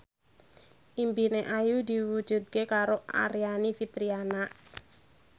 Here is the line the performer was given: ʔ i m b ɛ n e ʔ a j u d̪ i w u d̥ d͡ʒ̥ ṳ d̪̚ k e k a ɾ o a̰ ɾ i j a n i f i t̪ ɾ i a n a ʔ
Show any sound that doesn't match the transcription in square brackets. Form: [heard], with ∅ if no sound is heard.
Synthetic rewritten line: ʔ i m b [i] n e ʔ a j u d̪ i w u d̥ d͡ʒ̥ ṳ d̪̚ k e k a ɾ o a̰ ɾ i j a n i f i t̪ ɾ i a n a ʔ